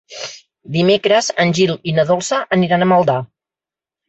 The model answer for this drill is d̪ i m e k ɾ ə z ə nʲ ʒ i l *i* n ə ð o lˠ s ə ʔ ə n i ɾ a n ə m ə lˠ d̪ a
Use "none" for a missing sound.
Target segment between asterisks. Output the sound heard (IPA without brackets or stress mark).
i